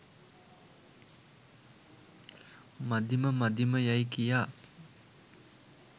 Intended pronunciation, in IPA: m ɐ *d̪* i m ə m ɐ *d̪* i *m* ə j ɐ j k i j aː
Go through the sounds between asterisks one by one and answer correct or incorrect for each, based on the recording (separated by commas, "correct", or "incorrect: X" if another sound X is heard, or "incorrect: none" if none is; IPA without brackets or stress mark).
correct, correct, correct